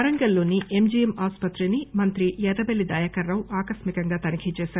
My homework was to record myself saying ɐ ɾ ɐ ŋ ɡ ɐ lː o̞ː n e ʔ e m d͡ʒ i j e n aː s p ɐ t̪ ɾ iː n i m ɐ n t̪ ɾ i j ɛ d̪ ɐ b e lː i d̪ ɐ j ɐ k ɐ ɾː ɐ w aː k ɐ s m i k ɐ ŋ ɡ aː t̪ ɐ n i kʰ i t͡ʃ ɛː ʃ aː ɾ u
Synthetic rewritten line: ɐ ɾ ɐ ŋ ɡ ɐ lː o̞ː n i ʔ e m d͡ʒ i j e m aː s p ɐ t̪ ɾ i n i m ɐ n t̪ ɾ i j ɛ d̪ ɐ b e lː i d̪ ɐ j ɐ k ɐ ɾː ɐ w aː k ɐ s m i k ɐ ŋ ɡ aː t̪ ɐ n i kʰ i t͡ʃ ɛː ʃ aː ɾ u